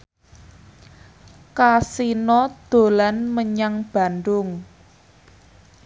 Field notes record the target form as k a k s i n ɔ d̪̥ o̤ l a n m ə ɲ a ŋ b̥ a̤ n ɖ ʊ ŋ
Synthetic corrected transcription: k a s i n ɔ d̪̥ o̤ l a n m ə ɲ a ŋ b̥ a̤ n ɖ ʊ ŋ